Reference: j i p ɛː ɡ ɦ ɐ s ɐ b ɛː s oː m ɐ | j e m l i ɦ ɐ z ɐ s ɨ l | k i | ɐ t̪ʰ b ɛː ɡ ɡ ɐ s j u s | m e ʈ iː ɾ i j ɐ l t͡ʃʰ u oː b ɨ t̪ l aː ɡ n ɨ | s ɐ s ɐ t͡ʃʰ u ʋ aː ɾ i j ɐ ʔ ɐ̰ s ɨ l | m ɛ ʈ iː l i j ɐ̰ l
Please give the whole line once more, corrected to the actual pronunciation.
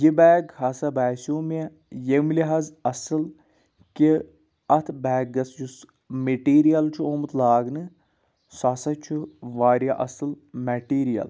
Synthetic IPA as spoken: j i b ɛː ɡ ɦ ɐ s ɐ b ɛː s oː m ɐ | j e m l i ɦ ɐ z ɐ s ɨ l | k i | ɐ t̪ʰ b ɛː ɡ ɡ ɐ s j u s | m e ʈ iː ɾ i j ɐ l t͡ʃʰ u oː m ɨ t̪ l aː ɡ n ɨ | s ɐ s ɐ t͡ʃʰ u ʋ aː ɾ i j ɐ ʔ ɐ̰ s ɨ l | m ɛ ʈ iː ɾ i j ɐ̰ l